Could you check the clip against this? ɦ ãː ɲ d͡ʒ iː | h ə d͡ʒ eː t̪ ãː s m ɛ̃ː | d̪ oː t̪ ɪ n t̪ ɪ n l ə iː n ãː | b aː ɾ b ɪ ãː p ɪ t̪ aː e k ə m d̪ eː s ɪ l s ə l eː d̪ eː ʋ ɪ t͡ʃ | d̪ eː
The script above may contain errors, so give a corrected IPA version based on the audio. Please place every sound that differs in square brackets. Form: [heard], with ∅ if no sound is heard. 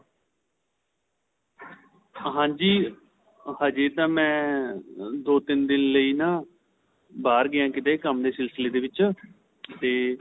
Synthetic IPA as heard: ɦ ãː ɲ d͡ʒ iː | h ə d͡ʒ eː t̪ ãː [∅] m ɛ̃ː | d̪ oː t̪ ɪ n [d̪] ɪ n l ə iː n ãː | b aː ɾ [ɡ] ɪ ãː [k] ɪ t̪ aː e k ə m d̪ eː s ɪ l s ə l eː d̪ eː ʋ ɪ t͡ʃ | [t̪] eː